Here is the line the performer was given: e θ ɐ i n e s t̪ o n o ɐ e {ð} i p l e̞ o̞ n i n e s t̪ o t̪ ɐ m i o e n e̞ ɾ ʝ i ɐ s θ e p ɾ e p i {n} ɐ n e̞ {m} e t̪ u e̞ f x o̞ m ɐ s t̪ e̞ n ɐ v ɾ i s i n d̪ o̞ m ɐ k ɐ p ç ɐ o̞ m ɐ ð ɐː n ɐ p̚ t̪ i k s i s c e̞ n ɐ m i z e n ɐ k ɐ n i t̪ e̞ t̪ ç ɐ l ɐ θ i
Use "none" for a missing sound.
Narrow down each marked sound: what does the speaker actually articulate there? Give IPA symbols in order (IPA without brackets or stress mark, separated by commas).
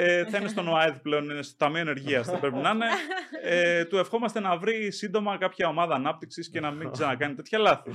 ð, n, none